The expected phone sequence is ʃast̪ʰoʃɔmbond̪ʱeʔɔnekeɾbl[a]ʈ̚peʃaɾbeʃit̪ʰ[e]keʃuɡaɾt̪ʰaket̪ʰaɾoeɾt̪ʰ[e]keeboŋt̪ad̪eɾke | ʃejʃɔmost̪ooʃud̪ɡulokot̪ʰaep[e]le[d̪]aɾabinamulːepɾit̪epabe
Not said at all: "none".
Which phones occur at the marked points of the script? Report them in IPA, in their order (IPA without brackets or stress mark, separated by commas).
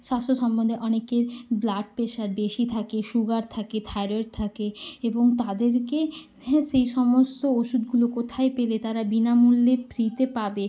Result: a, a, a, e, t̪